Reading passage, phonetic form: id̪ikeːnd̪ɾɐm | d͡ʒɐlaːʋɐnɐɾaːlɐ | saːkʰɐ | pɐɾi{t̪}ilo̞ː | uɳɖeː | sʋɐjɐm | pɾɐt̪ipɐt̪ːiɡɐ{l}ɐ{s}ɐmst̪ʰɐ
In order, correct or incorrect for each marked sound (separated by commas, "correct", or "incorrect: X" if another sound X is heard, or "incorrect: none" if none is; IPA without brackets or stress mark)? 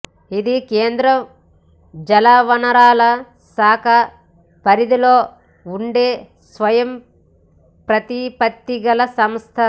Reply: incorrect: d̪, correct, correct